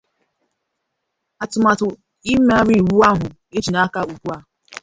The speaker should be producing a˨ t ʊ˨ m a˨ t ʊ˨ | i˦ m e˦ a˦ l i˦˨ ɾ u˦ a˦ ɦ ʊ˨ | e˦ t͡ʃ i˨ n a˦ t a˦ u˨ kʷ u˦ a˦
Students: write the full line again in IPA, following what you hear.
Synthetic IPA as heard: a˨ t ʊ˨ m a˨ t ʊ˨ | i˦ m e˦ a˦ ɾ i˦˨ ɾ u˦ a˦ ɦ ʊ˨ | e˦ t͡ʃ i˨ n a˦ k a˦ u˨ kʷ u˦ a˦